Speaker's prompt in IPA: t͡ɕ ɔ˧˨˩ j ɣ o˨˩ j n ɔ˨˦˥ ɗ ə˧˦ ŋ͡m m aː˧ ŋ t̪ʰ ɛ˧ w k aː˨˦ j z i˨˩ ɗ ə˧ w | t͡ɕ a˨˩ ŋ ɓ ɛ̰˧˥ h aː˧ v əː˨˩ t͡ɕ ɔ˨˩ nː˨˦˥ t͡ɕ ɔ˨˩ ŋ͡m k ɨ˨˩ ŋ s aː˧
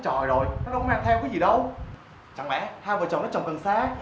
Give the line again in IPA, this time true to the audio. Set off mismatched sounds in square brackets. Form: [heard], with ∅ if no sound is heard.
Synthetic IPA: t͡ɕ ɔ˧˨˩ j [z] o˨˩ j n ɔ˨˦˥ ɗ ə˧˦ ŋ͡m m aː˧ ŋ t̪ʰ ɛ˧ w k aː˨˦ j z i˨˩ ɗ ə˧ w | t͡ɕ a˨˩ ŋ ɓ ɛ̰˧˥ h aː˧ v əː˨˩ t͡ɕ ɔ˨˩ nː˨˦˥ t͡ɕ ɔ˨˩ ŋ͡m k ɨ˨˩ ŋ s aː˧